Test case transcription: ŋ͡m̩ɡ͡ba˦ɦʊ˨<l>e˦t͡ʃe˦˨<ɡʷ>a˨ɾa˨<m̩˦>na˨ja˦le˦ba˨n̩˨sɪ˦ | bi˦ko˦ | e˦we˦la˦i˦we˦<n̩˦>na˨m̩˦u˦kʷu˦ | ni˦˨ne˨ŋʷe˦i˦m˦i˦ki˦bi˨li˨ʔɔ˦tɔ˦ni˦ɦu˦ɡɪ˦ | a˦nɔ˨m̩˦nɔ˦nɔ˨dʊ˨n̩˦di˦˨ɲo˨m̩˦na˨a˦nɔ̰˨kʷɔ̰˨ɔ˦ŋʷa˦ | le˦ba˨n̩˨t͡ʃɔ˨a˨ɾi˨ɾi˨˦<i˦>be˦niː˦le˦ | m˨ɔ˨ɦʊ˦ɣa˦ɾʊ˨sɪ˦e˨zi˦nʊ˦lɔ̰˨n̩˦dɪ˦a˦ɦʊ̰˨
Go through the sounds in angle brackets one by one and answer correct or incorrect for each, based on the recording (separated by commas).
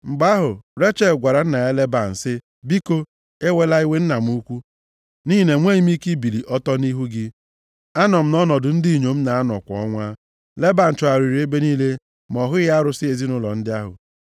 incorrect, correct, incorrect, correct, incorrect